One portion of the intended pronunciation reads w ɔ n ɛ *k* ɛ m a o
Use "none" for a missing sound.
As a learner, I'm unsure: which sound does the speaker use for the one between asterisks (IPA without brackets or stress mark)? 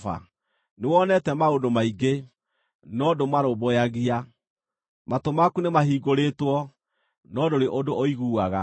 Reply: t